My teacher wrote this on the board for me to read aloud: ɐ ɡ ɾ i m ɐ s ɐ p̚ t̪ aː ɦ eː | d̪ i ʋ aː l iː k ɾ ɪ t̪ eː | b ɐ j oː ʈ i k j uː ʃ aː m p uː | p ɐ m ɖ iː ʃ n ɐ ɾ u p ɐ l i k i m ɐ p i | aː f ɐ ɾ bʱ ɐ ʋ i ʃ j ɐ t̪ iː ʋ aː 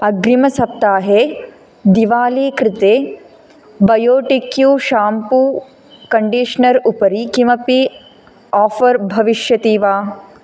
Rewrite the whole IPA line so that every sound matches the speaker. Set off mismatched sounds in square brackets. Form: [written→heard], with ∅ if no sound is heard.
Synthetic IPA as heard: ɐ ɡ ɾ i m ɐ s ɐ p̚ t̪ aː ɦ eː | d̪ i ʋ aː l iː k ɾ ɪ t̪ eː | b ɐ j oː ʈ i k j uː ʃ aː m p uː | [p→k] ɐ [m→ɳ] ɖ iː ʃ n ɐ ɾ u p ɐ [l→ɾ] i k i m ɐ p i | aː f ɐ ɾ bʱ ɐ ʋ i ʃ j ɐ t̪ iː ʋ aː